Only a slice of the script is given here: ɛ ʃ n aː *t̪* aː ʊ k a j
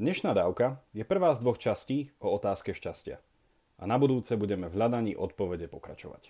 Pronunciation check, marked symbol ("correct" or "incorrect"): incorrect